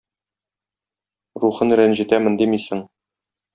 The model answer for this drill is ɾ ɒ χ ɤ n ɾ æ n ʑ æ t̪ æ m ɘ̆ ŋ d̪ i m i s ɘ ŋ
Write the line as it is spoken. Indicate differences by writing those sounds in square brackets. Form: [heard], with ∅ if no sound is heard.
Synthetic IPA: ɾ [u] χ ɤ n ɾ æ n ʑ [i] t̪ æ m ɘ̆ [n] d̪ i m i s ɘ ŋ